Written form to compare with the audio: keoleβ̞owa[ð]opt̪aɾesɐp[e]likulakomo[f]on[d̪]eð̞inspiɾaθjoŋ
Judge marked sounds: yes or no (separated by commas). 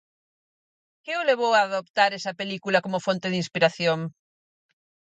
yes, yes, yes, no